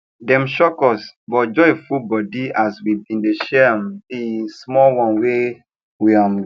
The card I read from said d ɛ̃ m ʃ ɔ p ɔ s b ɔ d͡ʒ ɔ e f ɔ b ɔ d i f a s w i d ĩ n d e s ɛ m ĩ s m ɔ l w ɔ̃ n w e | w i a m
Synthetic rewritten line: d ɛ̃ m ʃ ɔ k ɔ s b ɔ d͡ʒ ɔ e f u b ɔ d i a s w i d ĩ n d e ʃ ɛ m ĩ s m ɔ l w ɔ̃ n w e | w i a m